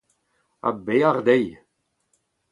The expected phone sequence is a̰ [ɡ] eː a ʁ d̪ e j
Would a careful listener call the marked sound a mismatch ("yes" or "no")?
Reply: yes